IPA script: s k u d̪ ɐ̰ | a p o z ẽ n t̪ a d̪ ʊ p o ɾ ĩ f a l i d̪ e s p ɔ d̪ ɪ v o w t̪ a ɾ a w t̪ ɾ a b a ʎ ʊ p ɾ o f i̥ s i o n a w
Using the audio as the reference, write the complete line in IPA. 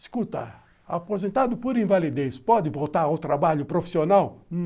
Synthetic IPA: s k u t̪ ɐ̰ | a p o z ẽ n t̪ a d̪ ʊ p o ɾ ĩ v a l i d̪ e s p ɔ d̪ ɪ v o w t̪ a ɾ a w t̪ ɾ a b a ʎ ʊ p ɾ o f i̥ s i o n a w